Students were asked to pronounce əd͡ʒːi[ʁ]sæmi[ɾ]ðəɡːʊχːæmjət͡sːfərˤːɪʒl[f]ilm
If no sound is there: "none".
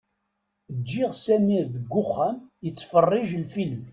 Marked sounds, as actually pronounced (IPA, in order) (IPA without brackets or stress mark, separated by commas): ʁ, ɾ, f